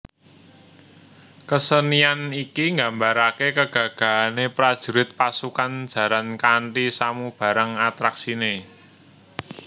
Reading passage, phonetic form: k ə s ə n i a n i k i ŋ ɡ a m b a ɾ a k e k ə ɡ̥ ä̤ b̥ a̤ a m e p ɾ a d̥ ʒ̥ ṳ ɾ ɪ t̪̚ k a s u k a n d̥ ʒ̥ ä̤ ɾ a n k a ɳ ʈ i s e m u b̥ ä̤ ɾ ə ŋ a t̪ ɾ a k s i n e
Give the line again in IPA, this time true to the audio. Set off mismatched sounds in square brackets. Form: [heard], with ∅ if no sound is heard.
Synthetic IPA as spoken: k ə s ə n i a n i k i ŋ ɡ a m b a ɾ a k e k ə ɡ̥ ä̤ [ɡ̥] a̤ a [n] e p ɾ a d̥ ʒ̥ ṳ ɾ ɪ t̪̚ [p] a s u k a n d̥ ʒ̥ ä̤ ɾ a n k a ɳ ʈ i s [a] m u b̥ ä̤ ɾ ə ŋ a t̪ ɾ a k s i n e